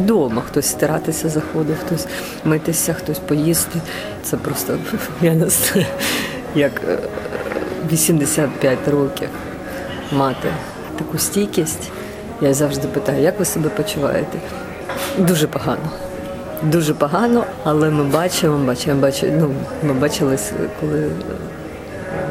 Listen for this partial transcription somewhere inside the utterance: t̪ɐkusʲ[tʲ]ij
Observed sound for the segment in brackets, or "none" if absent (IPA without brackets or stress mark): tʲ